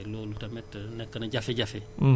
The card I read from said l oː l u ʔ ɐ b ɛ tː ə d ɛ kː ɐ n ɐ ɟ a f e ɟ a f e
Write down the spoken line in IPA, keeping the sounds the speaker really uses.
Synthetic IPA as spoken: l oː l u t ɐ m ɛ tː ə n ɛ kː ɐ n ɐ ɟ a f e ɟ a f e